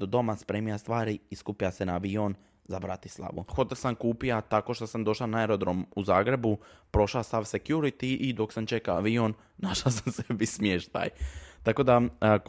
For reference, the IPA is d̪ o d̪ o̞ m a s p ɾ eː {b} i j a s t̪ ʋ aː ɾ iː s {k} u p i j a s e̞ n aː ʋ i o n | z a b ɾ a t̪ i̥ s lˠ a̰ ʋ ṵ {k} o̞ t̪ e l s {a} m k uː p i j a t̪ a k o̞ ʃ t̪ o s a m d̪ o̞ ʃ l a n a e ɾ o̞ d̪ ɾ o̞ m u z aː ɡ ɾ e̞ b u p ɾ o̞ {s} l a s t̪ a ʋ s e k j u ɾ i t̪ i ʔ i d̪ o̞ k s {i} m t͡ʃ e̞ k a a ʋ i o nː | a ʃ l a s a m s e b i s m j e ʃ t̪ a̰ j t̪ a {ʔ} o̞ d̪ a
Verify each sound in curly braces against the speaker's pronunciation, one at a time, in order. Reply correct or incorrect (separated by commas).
incorrect, correct, incorrect, correct, incorrect, incorrect, incorrect